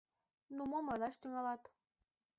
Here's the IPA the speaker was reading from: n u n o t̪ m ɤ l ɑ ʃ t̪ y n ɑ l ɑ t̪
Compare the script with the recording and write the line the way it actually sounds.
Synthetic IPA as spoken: n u m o m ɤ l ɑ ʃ t̪ y ŋ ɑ l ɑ t̪